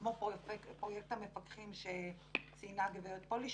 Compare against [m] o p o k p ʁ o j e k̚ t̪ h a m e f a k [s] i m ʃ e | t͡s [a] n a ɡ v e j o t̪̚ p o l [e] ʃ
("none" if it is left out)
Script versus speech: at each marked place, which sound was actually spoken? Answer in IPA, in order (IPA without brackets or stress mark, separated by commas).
m, χ, i, i